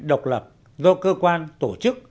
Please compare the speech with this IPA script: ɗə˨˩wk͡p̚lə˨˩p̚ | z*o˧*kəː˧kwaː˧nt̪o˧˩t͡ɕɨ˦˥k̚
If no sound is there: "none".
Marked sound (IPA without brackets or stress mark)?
ɔ˧